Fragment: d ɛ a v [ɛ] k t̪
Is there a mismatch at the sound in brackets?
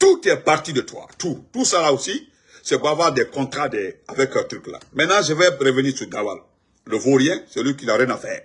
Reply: no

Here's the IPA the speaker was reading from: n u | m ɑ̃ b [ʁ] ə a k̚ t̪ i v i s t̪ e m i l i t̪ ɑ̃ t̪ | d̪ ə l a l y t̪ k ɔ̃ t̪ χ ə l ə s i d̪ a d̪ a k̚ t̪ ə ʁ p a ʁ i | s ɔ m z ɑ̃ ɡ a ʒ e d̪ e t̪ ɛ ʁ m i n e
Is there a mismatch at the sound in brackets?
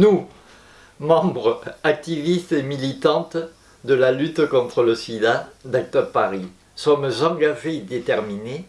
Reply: no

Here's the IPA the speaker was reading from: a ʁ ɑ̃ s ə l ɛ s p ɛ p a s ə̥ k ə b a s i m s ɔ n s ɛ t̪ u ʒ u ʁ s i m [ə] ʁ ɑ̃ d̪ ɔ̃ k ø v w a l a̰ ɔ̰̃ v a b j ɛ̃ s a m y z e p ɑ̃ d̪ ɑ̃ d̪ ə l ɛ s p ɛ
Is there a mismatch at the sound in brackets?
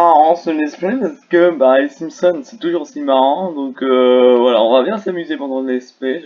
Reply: yes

